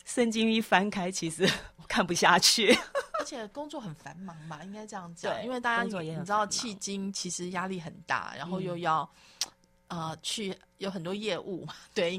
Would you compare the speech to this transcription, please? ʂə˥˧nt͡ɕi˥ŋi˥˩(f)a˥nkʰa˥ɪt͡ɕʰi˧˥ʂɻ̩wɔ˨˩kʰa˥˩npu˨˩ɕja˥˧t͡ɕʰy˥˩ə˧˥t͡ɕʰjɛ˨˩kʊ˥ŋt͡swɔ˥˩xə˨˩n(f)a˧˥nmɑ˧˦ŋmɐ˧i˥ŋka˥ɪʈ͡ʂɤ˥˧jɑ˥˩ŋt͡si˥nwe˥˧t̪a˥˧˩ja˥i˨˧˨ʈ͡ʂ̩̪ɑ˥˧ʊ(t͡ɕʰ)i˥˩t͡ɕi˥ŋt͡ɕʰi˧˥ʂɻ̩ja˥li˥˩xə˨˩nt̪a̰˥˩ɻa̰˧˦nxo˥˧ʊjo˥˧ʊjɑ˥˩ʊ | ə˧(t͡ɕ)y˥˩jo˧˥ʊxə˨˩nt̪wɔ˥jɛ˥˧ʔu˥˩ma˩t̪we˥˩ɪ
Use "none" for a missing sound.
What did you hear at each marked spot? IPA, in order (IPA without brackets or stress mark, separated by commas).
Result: f, f, t͡ɕʰ, t͡ɕʰ